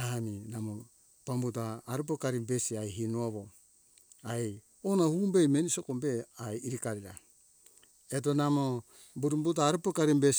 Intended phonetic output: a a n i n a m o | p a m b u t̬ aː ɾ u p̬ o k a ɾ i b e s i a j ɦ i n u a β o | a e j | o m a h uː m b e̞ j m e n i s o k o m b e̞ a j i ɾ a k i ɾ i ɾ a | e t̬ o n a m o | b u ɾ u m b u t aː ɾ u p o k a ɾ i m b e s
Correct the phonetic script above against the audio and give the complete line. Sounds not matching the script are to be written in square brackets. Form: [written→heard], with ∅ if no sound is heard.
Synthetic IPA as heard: a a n i n a m o | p a m b u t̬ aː ɾ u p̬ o k a ɾ i b e s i a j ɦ i n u a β o | a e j | o [m→n] a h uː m b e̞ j m e n i s o k o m b e̞ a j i ɾ [a→i] k [i→a] ɾ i ɾ a | e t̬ o n a m o | b u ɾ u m b u t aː ɾ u p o k a ɾ i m b e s